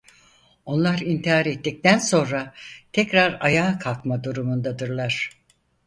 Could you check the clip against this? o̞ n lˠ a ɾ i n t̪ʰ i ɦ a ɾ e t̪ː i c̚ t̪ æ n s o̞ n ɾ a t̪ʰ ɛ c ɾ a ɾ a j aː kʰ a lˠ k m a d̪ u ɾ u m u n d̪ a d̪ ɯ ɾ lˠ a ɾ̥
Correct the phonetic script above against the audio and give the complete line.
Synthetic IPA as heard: o̞ n lˠ a ɾ i n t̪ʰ i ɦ a ɾ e t̪ː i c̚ t̪ æ n s o̞ n ɾ a t̪ʰ ɛ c ɾ a ɾ a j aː kʰ a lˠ k m a d̪ u ɾ u m u n d̪ a d̪ ɯ ɾ lˠ a ɾ̥